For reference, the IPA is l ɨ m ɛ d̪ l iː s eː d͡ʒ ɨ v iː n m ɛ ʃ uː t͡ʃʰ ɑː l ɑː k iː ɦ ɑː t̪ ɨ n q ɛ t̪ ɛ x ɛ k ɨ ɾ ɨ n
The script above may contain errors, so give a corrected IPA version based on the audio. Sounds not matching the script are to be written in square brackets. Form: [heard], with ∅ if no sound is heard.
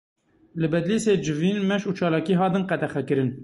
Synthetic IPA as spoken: l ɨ [b] ɛ d̪ l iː s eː d͡ʒ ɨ v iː n m ɛ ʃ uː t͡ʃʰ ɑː l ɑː k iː ɦ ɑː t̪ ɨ n q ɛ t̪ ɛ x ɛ k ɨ ɾ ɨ n